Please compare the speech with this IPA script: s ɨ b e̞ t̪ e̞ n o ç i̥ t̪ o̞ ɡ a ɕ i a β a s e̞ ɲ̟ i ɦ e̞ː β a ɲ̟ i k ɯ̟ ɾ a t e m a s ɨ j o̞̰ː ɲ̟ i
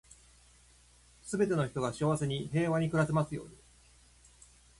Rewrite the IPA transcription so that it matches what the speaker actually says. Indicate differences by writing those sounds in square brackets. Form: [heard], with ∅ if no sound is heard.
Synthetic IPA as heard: s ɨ b e̞ t̪ e̞ n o ç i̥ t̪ o̞ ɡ a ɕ i a β a s e̞ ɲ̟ i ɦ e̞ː β a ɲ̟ i k ɯ̟ ɾ a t e m a s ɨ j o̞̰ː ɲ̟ i